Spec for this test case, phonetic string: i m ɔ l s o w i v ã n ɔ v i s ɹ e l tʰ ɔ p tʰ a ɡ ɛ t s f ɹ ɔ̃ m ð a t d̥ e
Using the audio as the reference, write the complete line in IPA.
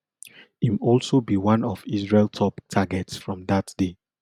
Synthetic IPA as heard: i m ɔ l s o b i w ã n ɔ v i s ɹ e l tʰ ɔ p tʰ a ɡ ɛ t s f ɹ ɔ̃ m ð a t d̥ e